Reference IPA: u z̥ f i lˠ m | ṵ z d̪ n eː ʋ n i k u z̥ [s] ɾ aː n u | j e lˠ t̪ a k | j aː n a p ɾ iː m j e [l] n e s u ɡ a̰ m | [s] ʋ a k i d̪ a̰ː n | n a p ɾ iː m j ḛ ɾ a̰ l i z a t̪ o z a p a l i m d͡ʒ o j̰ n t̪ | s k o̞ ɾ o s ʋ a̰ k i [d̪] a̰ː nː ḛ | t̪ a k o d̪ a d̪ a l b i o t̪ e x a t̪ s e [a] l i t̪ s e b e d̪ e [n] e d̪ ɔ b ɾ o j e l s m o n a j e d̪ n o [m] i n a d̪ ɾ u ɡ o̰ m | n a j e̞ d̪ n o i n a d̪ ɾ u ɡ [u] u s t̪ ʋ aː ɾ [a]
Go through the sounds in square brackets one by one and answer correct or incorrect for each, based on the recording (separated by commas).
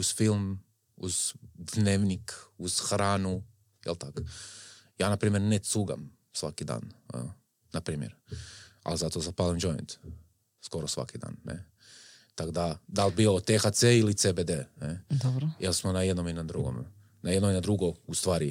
incorrect, incorrect, correct, correct, incorrect, correct, correct, incorrect, incorrect